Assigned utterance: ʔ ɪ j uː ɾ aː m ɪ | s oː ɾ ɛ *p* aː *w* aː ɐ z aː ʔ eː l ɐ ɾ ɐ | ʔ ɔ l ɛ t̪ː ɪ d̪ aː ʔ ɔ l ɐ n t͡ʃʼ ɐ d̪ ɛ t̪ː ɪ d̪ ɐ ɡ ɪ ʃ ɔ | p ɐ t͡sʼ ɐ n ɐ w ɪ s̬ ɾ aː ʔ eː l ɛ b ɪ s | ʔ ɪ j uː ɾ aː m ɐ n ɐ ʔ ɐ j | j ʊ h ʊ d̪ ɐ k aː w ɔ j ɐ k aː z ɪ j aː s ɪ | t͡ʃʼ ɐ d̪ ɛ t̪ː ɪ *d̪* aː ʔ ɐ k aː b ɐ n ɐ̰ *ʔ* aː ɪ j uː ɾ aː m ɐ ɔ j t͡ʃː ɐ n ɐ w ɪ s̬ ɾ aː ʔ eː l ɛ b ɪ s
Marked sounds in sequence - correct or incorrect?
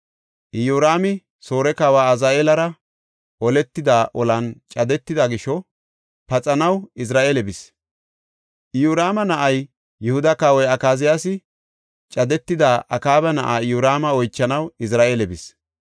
incorrect: k, correct, correct, correct

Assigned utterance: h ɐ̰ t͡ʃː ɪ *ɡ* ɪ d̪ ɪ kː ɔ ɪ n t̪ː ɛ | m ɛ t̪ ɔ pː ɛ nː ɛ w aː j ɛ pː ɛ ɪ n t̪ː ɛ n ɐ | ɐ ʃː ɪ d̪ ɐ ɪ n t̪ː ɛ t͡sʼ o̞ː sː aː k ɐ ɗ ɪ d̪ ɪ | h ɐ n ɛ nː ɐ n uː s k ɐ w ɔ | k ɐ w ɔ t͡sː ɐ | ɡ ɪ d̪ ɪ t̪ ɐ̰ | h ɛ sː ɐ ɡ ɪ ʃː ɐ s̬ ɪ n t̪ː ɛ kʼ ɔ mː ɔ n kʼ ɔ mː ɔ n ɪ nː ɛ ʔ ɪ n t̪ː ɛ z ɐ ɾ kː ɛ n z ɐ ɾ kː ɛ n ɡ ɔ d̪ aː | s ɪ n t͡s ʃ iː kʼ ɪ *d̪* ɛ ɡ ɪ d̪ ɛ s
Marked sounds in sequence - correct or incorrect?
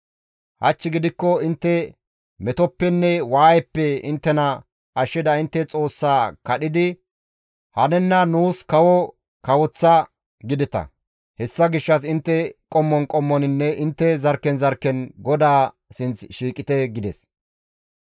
correct, incorrect: t̪

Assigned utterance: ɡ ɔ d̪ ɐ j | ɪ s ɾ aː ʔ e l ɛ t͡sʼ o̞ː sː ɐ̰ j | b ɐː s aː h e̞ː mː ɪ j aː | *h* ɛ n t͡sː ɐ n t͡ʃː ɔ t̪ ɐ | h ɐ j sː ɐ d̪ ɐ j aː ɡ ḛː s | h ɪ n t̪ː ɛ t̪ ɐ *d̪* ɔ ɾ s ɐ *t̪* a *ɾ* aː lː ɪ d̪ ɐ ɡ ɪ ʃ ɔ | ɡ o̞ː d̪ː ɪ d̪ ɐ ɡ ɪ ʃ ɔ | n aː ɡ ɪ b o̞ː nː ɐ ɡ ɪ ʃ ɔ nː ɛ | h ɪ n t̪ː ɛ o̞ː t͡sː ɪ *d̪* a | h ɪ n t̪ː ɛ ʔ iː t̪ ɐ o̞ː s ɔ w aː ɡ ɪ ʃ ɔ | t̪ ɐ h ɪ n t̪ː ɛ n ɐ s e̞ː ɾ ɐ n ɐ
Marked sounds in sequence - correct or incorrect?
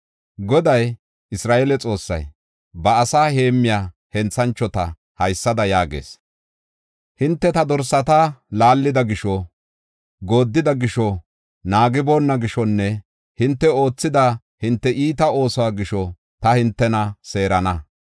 correct, correct, correct, incorrect: l, correct

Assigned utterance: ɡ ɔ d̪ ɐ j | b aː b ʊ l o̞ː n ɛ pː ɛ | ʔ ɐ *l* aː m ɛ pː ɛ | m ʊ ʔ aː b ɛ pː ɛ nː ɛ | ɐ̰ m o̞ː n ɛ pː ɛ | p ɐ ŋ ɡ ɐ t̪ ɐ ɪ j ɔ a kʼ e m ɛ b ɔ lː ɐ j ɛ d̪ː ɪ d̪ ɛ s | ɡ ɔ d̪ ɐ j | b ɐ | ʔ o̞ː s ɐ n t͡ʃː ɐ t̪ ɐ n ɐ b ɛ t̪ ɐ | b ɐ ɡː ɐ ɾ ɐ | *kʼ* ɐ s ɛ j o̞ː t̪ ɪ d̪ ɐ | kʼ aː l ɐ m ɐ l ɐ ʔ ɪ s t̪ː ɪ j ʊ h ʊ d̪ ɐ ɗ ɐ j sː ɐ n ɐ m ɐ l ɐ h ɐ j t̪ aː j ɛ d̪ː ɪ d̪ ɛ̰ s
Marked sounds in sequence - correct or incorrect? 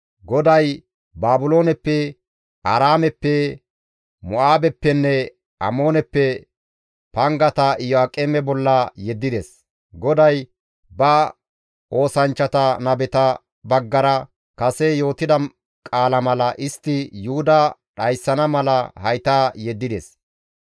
incorrect: ɾ, incorrect: k

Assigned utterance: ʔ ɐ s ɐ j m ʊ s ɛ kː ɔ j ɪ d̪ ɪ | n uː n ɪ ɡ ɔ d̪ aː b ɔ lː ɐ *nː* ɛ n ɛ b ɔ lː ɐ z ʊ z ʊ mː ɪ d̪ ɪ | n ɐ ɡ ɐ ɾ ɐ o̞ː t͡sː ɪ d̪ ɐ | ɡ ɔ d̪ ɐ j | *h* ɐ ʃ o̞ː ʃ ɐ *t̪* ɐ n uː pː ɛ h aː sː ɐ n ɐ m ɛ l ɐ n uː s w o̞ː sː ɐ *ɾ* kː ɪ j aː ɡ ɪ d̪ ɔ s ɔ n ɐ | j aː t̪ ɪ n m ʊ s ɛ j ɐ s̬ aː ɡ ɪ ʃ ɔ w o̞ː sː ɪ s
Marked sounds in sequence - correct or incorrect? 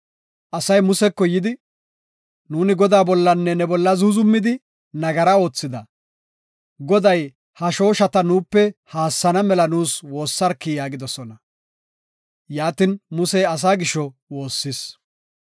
correct, correct, correct, correct

